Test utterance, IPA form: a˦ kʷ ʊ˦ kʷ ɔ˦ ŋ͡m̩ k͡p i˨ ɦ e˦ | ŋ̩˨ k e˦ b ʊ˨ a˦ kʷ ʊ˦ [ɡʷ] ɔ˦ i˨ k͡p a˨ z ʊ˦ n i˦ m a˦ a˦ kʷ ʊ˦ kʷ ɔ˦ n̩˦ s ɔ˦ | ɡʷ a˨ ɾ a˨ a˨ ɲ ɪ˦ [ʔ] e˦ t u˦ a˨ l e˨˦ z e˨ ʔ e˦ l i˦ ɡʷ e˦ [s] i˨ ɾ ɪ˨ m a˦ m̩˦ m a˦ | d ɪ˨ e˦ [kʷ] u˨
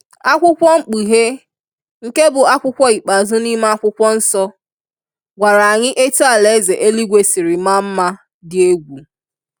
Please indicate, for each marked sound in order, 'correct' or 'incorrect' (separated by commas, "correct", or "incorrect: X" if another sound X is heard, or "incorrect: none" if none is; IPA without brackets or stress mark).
incorrect: kʷ, correct, correct, incorrect: ɡʷ